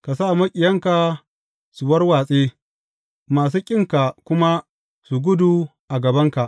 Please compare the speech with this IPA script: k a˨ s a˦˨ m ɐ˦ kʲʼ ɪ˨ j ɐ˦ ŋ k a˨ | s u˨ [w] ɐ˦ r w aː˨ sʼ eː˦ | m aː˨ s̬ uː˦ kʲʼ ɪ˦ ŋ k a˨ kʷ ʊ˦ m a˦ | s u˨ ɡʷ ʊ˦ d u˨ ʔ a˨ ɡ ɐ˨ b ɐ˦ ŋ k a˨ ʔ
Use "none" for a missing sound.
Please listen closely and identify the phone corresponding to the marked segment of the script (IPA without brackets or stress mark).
w